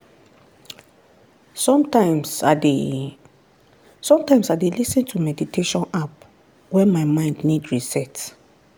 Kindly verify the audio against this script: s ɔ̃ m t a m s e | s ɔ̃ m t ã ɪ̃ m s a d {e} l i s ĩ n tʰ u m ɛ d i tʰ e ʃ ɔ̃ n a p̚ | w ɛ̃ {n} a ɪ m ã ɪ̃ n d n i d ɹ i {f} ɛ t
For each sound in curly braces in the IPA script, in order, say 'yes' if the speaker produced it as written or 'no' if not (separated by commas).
yes, no, no